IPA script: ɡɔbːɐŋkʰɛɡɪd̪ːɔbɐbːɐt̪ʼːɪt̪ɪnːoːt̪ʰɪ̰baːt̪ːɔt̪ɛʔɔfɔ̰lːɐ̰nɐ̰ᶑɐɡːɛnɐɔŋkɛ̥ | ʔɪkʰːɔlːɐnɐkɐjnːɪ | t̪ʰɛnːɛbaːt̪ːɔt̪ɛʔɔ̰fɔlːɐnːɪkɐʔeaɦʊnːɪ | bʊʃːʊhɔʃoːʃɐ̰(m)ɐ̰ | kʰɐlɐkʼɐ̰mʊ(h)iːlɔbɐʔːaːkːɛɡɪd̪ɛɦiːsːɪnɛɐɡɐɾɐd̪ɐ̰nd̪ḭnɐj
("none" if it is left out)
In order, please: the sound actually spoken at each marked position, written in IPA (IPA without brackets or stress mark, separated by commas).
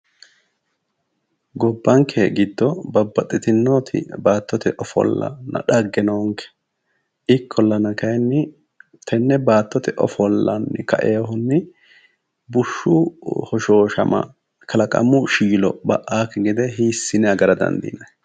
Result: m, ʃ